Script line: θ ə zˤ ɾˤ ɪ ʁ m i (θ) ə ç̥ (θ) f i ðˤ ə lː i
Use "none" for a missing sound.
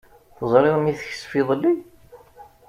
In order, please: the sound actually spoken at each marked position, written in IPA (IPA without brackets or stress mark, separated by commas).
θ, s